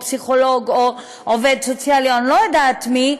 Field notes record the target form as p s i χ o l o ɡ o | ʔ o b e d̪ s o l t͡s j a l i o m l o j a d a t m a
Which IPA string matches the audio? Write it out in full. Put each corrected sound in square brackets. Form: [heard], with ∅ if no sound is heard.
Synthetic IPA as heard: p s i χ o l o ɡ o | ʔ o [v] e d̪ s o [∅] t͡s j a l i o [n] l o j a d a t m [i]